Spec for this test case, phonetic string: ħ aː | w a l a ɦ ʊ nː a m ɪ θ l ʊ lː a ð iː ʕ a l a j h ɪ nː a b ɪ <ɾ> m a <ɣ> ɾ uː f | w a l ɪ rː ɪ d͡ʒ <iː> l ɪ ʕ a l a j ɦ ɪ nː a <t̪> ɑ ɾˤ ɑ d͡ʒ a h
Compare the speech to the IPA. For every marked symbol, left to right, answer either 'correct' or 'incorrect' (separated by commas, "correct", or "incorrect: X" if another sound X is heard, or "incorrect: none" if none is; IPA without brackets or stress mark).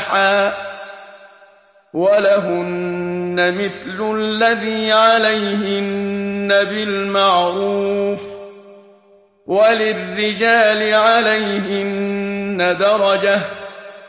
incorrect: l, incorrect: ʕ, incorrect: aː, incorrect: d̪